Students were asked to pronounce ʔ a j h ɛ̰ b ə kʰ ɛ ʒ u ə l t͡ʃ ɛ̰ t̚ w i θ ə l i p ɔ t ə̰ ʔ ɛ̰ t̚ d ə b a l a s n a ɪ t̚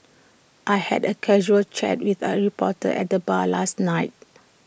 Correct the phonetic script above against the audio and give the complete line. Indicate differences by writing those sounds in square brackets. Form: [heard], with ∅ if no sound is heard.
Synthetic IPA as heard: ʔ a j h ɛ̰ [d] ə kʰ ɛ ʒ u ə l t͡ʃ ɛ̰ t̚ w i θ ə [ɹ] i p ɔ t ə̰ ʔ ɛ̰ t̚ d ə b a l a s n a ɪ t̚

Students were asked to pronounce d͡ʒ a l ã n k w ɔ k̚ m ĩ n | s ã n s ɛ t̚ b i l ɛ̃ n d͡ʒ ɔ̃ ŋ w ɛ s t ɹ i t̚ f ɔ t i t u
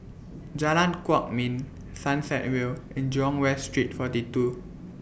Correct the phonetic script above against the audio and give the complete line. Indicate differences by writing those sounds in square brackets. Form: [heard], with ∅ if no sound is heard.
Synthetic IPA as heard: d͡ʒ a l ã n k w ɔ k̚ m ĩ n | s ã n s ɛ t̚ [w] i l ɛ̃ n d͡ʒ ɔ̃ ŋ w ɛ s t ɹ i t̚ f ɔ t i t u

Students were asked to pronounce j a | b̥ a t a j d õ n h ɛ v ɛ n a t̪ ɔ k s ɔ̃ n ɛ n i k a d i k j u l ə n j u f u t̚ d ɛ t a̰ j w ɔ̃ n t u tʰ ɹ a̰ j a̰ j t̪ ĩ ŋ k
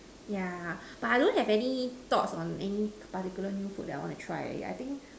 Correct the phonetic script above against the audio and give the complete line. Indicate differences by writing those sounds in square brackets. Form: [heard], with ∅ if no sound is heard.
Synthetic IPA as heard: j a | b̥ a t a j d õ n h ɛ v ɛ n [i] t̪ ɔ [t] s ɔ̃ n ɛ n i [p] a [t] i k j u l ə n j u f u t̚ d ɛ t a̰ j w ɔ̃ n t u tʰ ɹ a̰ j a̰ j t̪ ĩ ŋ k

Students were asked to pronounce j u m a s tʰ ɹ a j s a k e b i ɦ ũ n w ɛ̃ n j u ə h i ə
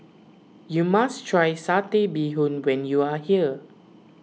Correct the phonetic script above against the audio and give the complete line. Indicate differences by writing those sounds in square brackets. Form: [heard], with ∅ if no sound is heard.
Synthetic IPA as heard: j u m a s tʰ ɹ a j s a [t] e b i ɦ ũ n w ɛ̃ n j u [a] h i ə

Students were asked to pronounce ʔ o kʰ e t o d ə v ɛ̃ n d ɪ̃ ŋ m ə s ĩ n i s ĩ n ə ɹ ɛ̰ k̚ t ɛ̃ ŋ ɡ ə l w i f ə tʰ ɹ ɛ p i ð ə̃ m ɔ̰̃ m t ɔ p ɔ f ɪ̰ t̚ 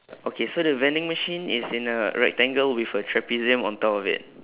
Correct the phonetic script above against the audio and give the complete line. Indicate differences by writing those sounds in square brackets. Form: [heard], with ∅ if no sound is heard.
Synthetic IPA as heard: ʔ o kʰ e [s] o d ə v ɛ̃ n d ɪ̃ ŋ m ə [ʃ] ĩ n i s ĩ n ə ɹ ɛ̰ k̚ t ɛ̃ ŋ ɡ ə l w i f ə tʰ ɹ ɛ p i [z] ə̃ m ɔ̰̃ [n] t ɔ p ɔ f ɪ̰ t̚

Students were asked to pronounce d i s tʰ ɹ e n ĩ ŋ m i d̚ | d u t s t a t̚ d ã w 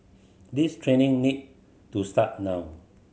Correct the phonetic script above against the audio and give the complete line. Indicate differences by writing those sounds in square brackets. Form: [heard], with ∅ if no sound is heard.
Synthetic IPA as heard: d i s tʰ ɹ e n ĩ ŋ [n] i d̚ | [t] u [∅] s t a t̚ [n] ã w

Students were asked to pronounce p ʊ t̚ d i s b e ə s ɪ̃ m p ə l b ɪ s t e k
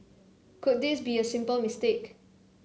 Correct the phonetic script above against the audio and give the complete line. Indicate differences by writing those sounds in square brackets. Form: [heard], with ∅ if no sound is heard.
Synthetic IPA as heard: [k] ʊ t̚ d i s b [i] ə s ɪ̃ m p ə l [m] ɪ s t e k

